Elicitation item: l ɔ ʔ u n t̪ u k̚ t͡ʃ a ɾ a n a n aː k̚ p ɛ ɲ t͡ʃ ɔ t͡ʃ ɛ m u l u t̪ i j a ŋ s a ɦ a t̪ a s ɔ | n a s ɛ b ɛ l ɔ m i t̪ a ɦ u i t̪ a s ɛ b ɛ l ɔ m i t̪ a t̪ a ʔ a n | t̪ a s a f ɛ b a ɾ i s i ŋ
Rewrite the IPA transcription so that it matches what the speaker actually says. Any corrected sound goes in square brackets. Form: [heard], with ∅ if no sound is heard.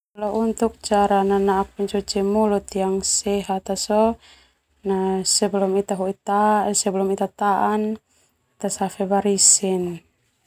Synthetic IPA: l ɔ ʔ u n t̪ u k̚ t͡ʃ a ɾ a n a n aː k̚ p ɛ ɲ t͡ʃ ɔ t͡ʃ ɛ m u l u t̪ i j a ŋ s [ɛ] ɦ a t̪ a s ɔ | n a s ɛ b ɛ l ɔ m i t̪ a ɦ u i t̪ a s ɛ b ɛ l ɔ m i t̪ a t̪ a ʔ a n | t̪ a s a f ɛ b a ɾ i s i [n]